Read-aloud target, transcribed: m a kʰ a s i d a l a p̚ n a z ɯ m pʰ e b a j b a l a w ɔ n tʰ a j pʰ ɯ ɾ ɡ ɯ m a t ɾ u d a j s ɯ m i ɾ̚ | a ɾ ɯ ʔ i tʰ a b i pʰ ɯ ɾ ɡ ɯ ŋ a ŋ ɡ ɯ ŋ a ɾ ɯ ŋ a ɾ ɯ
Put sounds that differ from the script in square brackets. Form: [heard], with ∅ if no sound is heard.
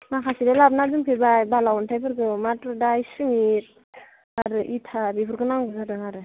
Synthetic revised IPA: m a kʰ a s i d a l a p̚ n a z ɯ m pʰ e b a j b a l a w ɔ n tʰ a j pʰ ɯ ɾ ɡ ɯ m a t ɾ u d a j s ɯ m i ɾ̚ | a ɾ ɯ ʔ i tʰ a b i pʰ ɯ ɾ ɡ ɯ [n] a ŋ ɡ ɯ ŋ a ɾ ɯ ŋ a ɾ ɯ